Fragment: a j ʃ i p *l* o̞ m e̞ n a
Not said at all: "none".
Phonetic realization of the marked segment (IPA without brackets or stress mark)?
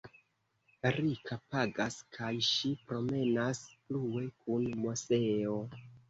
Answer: ɾ